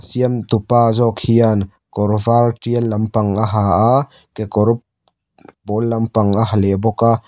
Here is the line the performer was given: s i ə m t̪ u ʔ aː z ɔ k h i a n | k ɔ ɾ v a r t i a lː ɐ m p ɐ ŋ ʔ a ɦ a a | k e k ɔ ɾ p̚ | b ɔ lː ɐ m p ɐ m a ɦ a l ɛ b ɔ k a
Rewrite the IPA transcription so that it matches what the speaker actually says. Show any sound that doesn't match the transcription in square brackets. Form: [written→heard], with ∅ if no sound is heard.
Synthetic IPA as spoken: s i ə m t̪ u [ʔ→p] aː z ɔ k h i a n | k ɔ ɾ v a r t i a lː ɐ m p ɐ ŋ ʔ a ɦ a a | k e k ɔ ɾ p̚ | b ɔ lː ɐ m p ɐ [m→ŋ] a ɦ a l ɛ b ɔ k a